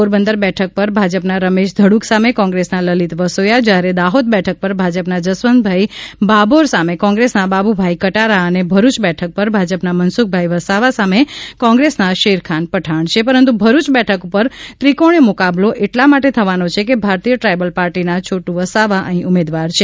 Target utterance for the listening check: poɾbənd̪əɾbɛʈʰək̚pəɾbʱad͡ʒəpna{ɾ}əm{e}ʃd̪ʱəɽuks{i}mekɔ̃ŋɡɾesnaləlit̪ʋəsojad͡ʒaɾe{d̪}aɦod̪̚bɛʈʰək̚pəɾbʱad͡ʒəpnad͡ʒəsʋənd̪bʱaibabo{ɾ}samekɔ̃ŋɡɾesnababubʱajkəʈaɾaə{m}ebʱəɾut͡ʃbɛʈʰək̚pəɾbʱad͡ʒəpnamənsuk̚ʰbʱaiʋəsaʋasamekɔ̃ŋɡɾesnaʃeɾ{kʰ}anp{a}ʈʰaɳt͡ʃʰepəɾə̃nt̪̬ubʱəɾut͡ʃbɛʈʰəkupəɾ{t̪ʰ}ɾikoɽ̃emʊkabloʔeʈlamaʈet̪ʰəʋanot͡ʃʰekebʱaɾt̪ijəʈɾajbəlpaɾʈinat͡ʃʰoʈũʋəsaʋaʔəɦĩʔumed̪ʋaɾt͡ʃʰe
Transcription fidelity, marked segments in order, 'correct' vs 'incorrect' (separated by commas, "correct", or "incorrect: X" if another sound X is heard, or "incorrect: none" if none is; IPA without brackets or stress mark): correct, correct, incorrect: a, correct, correct, incorrect: n, correct, incorrect: ə, incorrect: t̪